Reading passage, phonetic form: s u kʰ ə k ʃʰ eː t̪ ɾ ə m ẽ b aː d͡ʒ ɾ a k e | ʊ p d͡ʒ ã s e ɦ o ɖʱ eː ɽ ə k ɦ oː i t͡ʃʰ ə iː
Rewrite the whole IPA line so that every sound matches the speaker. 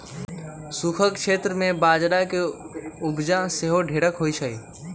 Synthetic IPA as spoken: s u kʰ ə k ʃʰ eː t̪ ɾ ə m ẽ b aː d͡ʒ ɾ a k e | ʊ b d͡ʒ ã s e ɦ o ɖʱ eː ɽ ə k ɦ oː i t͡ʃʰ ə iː